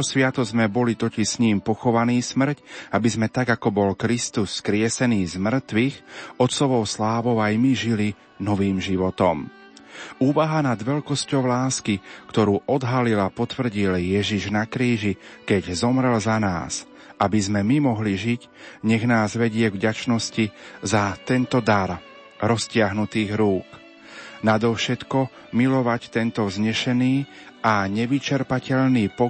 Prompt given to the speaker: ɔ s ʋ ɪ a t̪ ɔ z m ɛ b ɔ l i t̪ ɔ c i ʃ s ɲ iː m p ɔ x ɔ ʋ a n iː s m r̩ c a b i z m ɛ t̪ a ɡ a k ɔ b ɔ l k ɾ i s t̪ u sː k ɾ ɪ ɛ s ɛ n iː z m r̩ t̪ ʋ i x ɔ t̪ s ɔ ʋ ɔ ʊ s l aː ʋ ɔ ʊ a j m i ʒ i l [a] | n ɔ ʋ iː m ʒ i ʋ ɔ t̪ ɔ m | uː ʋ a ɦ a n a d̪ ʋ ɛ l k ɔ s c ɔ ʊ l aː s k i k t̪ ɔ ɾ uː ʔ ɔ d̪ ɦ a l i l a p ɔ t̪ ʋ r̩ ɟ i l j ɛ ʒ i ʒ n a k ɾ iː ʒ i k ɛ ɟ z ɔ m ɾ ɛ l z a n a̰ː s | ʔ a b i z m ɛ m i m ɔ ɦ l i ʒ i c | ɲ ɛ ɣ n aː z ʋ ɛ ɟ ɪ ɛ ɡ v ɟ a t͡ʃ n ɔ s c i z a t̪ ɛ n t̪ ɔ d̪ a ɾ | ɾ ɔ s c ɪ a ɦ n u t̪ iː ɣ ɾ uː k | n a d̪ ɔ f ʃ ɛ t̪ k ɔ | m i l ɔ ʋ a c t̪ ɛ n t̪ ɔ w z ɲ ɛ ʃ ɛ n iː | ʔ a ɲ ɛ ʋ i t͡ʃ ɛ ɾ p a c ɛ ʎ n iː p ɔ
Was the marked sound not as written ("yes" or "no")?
yes